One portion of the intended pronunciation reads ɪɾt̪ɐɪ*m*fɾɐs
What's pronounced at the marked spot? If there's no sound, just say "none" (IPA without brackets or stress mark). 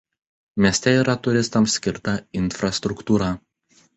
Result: n